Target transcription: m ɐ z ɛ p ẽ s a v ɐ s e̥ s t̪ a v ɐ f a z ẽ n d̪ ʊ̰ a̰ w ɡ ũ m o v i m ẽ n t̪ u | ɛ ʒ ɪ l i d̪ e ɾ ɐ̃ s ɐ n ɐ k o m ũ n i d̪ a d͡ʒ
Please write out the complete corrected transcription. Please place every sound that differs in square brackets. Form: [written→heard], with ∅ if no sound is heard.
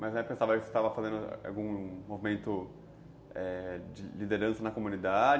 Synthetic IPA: m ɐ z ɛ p ẽ s a v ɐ s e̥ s t̪ a v ɐ f a z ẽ n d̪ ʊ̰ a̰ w ɡ ũ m o v i m ẽ n t̪ [u→ʊ] | ɛ [ʒ→d͡ʒ] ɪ l i d̪ e ɾ ɐ̃ s ɐ n ɐ k o m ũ n i d̪ a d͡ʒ